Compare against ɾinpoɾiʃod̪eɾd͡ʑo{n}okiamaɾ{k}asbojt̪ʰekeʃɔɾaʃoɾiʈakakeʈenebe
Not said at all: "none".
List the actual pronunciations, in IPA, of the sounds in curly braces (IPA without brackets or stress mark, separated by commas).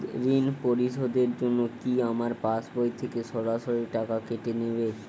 nː, p